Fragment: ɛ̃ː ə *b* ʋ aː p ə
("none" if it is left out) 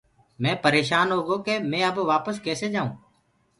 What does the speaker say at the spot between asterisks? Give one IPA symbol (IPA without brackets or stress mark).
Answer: b